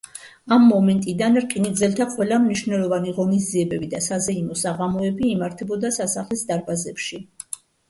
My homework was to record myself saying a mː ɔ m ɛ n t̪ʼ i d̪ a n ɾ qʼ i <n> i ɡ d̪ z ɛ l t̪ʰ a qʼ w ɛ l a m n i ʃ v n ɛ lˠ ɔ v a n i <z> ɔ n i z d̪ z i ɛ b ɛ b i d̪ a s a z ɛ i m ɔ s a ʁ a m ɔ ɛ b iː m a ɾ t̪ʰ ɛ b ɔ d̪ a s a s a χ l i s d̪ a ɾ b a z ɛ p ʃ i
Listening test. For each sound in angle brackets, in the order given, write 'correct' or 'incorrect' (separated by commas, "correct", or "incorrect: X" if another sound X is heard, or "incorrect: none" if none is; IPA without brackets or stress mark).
correct, incorrect: ʁ